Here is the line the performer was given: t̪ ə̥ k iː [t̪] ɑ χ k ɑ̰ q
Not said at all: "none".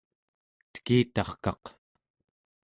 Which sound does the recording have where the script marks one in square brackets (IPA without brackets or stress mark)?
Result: t̪